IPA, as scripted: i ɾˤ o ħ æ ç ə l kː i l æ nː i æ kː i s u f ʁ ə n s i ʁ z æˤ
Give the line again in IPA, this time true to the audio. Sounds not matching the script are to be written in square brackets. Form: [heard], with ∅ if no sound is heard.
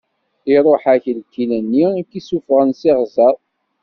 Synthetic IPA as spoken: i ɾˤ o ħ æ ç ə l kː i l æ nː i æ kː i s u f ʁ ə n s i ʁ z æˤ

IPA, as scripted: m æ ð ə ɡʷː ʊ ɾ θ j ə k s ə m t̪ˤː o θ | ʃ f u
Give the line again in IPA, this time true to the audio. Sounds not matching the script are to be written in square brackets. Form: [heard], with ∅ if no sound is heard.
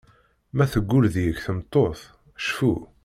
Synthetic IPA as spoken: m æ [θ] ə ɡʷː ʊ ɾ [ð] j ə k [θ] ə m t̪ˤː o θ | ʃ f u

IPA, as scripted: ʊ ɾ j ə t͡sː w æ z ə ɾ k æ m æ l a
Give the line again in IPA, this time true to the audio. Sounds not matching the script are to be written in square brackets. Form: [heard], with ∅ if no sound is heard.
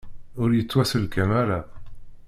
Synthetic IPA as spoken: ʊ ɾ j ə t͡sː w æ [s] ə [l] k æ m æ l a

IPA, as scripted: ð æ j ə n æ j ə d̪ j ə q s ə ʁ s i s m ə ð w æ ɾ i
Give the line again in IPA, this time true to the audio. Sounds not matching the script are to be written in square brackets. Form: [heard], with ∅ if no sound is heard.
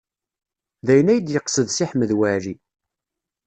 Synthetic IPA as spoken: ð æ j ə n æ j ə d̪ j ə q s ə [ð] s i [ħ] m ə ð w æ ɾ i

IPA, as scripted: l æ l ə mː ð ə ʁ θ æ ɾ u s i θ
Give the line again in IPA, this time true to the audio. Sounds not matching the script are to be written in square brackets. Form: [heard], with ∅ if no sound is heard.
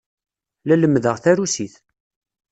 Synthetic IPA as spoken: l æ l ə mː ð ə ʁ θ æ ɾ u s i θ

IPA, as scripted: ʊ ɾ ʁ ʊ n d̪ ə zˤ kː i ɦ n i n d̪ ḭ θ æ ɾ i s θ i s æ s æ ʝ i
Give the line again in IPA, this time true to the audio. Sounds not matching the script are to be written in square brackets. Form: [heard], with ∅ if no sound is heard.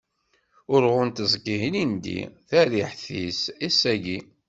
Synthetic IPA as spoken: ʊ ɾ ʁ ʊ n [t̪] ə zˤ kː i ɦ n i n d̪ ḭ θ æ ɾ i [ħ] θ i s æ s æ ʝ i

